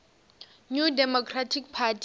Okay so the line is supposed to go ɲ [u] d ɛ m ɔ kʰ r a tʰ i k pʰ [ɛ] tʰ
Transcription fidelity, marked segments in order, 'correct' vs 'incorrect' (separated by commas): correct, incorrect